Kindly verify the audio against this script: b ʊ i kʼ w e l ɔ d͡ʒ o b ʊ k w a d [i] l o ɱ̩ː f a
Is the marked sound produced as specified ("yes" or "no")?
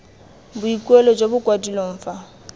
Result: yes